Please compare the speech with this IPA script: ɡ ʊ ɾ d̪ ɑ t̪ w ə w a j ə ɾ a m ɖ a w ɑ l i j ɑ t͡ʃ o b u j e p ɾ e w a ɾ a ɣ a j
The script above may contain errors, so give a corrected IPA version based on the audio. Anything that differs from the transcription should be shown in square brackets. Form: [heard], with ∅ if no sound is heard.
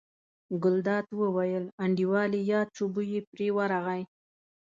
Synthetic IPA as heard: ɡ ʊ [l] d̪ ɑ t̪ w ə w a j ə [l] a [ɳ] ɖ [i] w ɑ l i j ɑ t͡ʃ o b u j e p ɾ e w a ɾ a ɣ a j